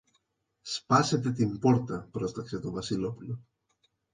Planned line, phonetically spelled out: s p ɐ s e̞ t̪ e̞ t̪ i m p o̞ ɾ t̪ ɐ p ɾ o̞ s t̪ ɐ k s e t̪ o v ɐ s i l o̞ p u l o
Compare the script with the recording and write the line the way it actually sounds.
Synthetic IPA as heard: s p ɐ s e̞ t̪ e̞ t̪ i m p o̞ ɾ t̪ ɐ p ɾ o̞ s t̪ ɐ k s e t̪ o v ɐ s i l o̞ p u l o